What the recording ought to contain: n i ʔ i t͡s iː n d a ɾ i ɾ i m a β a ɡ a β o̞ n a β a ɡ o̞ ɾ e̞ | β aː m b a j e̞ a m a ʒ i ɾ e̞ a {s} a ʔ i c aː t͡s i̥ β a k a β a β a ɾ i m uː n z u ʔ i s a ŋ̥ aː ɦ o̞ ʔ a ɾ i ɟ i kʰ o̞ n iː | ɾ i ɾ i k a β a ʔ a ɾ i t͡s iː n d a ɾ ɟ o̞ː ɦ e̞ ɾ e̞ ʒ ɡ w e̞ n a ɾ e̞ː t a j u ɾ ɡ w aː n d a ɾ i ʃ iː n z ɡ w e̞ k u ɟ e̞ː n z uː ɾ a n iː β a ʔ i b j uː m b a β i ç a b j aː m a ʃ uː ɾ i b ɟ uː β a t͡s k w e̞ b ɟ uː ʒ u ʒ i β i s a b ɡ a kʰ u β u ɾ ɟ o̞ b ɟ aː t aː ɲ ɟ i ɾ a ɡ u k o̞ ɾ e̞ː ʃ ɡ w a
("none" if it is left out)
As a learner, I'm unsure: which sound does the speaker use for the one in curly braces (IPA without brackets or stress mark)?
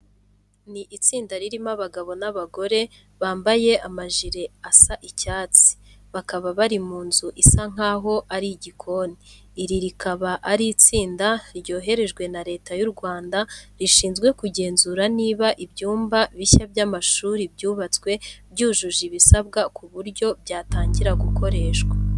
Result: s